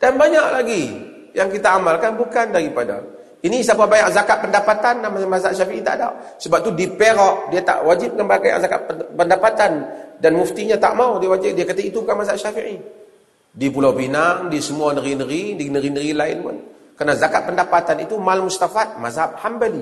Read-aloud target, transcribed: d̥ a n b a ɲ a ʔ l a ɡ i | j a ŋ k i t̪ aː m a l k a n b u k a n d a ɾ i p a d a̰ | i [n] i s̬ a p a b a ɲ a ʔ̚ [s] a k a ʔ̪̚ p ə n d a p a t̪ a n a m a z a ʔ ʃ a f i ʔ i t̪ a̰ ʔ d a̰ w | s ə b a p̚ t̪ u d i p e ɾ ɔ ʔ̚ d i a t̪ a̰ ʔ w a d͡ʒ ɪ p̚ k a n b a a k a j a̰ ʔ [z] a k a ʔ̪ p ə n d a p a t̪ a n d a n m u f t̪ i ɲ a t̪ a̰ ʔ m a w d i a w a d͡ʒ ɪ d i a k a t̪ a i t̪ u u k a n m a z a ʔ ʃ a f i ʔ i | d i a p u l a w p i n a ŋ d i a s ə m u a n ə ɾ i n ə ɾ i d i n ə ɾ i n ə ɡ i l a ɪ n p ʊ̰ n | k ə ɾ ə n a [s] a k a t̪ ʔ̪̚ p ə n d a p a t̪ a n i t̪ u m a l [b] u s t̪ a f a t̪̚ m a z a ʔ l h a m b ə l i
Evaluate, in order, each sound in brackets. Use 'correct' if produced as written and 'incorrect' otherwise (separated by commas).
correct, incorrect, correct, incorrect, incorrect